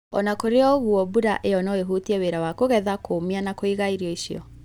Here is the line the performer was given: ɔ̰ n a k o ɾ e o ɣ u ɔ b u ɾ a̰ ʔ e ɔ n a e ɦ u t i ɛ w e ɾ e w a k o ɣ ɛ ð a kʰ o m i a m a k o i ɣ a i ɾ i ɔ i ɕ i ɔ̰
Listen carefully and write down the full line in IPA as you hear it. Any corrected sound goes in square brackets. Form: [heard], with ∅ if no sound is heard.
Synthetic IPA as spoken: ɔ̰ n a k o ɾ e [ɔ] ɣ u ɔ b u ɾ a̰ ʔ e ɔ n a e ɦ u t i ɛ w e ɾ [a] w a k o ɣ ɛ ð a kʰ o m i a [n] a k o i ɣ a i ɾ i ɔ i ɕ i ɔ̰